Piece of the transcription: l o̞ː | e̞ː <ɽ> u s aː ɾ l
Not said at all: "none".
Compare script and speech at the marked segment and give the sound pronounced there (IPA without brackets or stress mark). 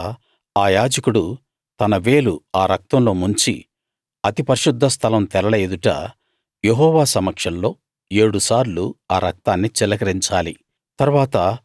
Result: ɽ